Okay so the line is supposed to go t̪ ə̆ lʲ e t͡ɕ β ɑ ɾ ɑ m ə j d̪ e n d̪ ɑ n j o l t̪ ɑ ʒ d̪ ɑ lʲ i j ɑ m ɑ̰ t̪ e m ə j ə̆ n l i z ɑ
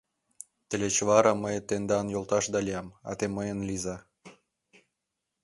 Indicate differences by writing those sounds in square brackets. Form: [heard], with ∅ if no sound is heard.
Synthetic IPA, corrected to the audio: t̪ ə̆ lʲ e t͡ɕ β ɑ ɾ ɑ m ə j [t̪] e n d̪ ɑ n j o l t̪ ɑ [ʃ] d̪ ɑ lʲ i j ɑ m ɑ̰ t̪ e m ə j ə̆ n l i z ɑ